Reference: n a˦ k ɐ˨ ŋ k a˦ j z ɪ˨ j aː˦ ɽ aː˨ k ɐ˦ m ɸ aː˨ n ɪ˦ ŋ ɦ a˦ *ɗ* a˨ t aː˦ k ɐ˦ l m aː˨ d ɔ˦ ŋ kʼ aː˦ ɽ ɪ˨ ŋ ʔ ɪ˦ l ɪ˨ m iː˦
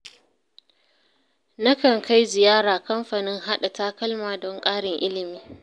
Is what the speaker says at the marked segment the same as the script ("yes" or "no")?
yes